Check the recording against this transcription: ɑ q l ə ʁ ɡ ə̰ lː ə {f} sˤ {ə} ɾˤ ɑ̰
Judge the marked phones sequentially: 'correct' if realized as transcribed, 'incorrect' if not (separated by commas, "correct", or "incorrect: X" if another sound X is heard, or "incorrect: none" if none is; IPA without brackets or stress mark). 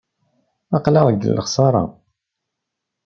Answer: incorrect: χ, incorrect: ɑ